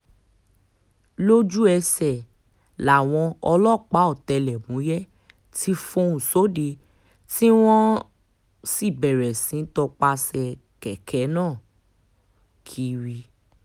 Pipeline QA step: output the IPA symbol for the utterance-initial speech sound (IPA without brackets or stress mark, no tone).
l